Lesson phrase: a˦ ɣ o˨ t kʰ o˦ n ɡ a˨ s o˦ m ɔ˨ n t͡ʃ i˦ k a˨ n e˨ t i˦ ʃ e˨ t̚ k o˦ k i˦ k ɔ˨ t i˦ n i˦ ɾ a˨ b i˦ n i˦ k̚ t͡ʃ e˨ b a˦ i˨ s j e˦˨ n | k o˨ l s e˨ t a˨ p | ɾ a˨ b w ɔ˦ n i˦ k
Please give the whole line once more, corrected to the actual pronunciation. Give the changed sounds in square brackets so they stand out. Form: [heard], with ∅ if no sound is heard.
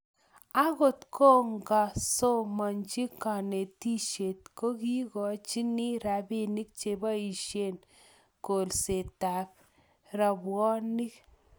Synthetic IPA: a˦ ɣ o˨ t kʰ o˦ [ŋ] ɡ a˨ s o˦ m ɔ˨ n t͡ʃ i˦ k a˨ n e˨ t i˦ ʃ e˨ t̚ k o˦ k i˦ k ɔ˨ [t͡ʃ] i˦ n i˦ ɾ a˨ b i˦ n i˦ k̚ t͡ʃ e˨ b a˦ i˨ [ʃ] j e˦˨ n | k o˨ l s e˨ t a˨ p | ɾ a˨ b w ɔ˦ n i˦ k